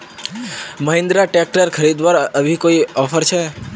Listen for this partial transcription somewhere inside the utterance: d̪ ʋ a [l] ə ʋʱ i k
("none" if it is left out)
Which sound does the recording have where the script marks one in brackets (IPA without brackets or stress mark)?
ɾ